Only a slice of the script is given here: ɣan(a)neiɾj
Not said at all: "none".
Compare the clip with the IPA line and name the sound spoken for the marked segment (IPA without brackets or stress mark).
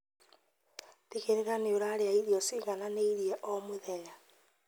a